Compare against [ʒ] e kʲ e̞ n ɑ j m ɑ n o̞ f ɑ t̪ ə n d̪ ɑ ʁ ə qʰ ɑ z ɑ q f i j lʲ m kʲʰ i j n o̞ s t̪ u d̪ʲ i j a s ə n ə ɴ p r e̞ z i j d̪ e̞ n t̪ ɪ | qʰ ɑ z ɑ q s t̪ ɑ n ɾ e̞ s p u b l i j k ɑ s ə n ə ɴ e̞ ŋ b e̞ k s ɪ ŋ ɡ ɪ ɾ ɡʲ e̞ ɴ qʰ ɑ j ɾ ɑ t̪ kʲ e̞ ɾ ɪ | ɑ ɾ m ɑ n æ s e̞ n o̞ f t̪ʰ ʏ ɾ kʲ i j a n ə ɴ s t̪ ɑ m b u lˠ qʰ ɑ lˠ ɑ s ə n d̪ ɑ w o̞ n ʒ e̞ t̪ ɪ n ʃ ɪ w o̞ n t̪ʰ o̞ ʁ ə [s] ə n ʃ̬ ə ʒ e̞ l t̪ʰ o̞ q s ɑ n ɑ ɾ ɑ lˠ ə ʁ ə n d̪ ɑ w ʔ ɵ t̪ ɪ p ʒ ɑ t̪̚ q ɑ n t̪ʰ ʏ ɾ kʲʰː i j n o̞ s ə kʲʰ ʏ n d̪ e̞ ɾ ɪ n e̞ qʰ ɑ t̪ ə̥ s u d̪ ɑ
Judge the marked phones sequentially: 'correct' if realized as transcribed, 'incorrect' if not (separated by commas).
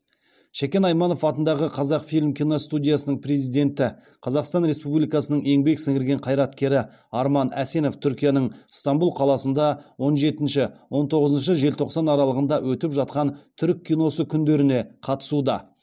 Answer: incorrect, incorrect